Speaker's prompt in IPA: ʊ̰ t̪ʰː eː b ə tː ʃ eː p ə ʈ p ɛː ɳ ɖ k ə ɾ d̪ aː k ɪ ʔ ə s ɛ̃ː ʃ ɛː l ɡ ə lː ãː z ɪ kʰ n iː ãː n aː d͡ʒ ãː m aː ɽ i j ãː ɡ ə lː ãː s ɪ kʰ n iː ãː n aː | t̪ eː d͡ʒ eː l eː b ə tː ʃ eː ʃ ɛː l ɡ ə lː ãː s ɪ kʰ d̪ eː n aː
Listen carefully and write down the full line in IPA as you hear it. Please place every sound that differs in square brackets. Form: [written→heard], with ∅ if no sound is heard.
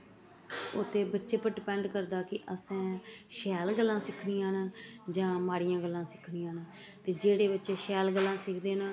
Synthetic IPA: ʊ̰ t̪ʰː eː b ə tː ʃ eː p ə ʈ p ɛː ɳ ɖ k ə ɾ d̪ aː k ɪ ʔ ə s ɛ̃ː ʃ ɛː l ɡ ə lː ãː [z→s] ɪ kʰ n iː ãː n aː d͡ʒ ãː m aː ɽ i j ãː ɡ ə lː ãː s ɪ kʰ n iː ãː n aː | t̪ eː d͡ʒ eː [l→ɽ] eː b ə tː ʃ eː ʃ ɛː l ɡ ə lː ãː s ɪ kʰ d̪ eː n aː

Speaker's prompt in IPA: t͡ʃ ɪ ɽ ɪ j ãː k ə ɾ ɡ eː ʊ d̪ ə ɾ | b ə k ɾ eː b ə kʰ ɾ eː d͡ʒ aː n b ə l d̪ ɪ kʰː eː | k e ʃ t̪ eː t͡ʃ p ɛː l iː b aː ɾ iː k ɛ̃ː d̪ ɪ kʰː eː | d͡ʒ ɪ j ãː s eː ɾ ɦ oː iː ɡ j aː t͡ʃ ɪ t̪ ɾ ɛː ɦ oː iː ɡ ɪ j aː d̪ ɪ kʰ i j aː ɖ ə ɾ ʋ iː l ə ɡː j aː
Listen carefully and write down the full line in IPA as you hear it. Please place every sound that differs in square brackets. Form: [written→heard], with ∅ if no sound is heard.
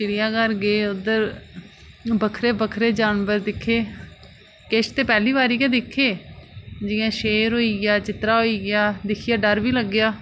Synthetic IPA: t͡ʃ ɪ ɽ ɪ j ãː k ə ɾ ɡ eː ʊ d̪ ə ɾ | b ə [k→kʰ] ɾ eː b ə kʰ ɾ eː d͡ʒ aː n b ə [l→ɾ] d̪ ɪ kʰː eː | k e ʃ t̪ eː [t͡ʃ→∅] p ɛː l iː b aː ɾ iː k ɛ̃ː d̪ ɪ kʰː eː | d͡ʒ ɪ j ãː [s→ʃ] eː ɾ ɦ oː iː ɡ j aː t͡ʃ ɪ t̪ ɾ [ɛː→aː] ɦ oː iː ɡ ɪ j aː d̪ ɪ kʰ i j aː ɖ ə ɾ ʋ iː l ə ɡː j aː

